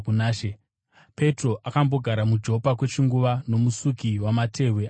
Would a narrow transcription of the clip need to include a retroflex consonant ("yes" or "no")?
no